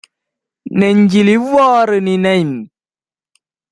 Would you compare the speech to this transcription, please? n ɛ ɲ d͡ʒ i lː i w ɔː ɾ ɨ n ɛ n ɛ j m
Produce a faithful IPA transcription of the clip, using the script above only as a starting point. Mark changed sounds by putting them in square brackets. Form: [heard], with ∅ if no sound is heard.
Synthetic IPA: n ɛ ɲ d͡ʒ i [l] i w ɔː ɾ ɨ n [i] n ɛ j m